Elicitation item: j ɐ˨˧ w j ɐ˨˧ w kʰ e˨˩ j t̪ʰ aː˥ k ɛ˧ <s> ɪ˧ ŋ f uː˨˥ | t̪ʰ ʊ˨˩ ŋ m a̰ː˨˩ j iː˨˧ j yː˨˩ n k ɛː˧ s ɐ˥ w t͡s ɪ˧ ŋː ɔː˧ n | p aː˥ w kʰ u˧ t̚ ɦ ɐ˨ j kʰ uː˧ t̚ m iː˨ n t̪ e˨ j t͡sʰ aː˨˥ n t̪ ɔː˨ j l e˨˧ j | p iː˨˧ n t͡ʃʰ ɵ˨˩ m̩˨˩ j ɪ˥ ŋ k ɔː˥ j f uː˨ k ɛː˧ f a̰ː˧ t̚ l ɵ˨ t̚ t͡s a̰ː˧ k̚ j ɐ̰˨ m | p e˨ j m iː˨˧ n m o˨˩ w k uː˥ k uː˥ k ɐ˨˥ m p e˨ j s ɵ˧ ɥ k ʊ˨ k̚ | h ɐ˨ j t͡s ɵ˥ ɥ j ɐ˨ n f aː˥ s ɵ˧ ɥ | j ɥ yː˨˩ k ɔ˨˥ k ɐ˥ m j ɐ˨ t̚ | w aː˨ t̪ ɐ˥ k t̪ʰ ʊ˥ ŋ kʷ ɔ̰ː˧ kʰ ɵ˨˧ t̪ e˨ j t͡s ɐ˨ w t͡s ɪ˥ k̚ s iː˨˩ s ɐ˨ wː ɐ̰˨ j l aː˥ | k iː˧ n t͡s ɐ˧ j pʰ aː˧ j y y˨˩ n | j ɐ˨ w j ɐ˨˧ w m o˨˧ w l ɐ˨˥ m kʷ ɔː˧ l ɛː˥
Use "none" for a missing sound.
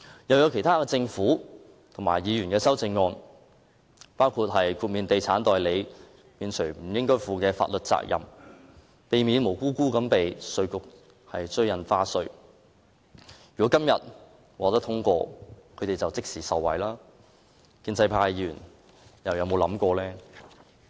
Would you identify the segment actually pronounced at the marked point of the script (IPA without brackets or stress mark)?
t͡s